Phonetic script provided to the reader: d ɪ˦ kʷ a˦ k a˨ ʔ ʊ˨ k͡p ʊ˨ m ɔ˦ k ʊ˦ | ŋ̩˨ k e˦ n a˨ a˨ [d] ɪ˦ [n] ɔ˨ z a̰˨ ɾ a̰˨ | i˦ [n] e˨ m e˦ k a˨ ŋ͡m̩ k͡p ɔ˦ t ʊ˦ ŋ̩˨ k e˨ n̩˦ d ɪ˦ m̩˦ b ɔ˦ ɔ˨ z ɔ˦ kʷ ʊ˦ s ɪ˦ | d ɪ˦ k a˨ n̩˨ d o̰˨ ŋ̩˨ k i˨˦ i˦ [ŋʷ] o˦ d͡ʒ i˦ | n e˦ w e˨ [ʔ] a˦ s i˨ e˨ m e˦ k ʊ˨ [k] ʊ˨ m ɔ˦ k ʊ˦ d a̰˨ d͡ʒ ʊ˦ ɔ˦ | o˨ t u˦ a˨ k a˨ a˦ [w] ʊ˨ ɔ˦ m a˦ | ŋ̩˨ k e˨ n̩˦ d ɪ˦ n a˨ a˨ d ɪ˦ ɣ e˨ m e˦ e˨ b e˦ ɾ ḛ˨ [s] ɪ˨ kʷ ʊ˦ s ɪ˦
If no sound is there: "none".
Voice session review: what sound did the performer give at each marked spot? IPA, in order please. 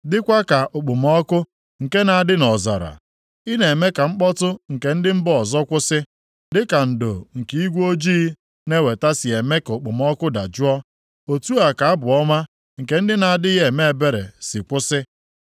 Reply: d, n, n, ɡʷ, t, k͡p, b, s

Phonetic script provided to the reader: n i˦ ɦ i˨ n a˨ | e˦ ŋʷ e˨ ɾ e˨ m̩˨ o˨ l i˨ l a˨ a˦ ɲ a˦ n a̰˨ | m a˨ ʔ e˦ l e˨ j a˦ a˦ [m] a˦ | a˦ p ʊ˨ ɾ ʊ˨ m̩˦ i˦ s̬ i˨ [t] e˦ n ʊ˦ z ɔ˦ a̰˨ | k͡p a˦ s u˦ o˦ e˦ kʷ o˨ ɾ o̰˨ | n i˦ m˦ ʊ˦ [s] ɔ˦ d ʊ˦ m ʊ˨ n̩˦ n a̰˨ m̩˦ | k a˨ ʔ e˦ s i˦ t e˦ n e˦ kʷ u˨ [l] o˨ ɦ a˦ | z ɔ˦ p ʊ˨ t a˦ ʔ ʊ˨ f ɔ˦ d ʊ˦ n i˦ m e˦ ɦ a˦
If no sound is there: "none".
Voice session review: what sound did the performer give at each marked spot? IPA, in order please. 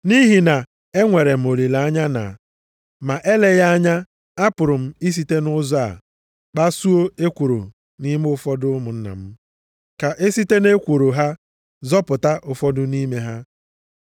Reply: ɲ, t, f, ɾ

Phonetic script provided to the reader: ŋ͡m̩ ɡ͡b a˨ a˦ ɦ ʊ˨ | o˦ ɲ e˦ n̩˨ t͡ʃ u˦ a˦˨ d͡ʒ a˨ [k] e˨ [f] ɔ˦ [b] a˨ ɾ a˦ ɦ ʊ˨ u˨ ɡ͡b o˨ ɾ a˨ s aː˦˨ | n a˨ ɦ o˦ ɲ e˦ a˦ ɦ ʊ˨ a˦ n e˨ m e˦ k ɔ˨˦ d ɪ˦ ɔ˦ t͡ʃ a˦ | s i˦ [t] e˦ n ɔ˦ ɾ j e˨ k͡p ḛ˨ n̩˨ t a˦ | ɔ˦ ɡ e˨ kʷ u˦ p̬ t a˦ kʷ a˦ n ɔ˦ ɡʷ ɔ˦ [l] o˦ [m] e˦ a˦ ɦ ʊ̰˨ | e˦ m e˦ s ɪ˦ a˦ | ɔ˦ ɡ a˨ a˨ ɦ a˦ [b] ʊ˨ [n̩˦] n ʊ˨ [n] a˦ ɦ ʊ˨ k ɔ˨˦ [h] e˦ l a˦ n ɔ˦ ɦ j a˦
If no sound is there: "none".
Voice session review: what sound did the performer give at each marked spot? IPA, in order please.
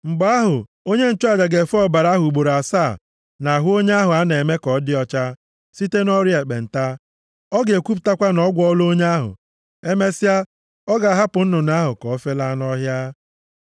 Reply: ɡ, f, b, t, l, ɲ, p, n̩˦, n, f

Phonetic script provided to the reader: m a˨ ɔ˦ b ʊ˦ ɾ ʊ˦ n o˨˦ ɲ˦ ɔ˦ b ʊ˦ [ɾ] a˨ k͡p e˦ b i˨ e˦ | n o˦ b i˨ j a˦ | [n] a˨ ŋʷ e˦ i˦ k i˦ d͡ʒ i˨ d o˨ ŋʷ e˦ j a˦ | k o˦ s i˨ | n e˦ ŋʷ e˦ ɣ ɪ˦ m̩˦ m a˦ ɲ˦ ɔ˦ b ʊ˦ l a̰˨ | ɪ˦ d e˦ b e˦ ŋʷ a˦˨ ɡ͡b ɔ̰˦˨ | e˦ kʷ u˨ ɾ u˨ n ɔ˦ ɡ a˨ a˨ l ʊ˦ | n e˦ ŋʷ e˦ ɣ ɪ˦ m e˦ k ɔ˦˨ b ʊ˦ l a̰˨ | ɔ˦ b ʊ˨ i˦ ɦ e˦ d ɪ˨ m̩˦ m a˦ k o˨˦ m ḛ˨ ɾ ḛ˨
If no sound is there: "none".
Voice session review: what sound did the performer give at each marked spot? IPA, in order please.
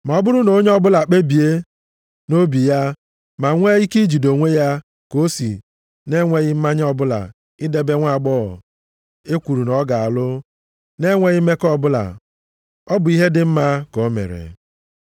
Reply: l, m

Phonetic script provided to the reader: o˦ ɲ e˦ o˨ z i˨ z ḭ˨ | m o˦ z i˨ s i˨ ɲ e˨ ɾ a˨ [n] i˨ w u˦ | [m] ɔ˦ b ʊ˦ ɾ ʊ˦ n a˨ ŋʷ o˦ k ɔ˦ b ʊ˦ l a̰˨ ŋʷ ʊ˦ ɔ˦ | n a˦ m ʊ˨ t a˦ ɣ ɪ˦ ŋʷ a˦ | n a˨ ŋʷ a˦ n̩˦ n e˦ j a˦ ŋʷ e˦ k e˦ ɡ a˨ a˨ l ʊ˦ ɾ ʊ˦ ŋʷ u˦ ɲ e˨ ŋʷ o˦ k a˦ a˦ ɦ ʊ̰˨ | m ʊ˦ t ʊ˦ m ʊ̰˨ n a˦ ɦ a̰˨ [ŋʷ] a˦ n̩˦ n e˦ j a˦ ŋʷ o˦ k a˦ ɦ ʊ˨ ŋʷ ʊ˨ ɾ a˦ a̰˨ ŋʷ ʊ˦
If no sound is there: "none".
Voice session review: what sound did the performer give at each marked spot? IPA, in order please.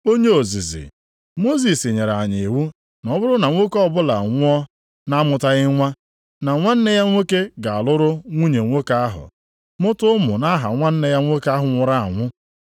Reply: ɲ, n, ŋʷ

